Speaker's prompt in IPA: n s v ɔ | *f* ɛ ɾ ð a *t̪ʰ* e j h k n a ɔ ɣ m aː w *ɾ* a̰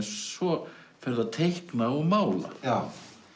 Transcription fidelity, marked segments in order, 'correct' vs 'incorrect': correct, correct, incorrect: l

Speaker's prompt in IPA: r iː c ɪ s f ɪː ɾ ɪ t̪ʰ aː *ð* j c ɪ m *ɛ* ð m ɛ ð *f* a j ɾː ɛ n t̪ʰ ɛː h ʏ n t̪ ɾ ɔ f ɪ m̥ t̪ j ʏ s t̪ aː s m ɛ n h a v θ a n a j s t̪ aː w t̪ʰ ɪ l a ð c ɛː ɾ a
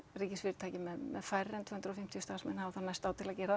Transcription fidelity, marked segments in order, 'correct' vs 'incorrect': incorrect: none, correct, correct

